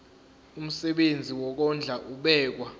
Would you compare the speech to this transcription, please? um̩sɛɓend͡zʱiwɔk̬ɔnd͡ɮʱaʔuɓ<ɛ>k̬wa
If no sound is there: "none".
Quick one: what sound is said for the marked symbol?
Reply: ɛː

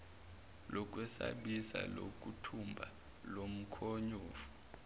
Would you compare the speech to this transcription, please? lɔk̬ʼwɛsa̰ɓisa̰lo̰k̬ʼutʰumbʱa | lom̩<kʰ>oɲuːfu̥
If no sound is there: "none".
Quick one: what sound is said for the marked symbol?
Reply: kʰ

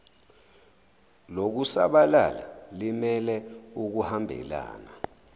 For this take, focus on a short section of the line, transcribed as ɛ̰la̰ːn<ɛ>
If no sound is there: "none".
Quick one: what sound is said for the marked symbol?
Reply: a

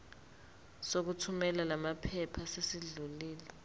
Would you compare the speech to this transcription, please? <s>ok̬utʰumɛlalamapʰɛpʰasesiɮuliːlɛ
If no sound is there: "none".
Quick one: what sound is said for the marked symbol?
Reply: s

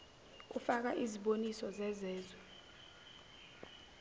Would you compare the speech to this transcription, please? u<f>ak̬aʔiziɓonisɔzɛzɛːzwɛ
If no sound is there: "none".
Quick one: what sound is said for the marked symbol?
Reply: f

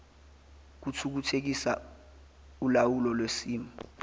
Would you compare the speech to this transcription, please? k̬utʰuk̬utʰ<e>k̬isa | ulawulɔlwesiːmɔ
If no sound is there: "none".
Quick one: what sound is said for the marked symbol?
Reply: e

